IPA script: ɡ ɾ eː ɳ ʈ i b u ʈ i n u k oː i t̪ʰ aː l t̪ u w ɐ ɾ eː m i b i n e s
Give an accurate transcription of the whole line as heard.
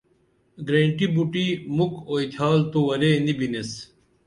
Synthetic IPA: ɡ ɾ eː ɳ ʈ i b u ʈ i m u k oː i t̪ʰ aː l t̪ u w ɐ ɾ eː n i b i n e s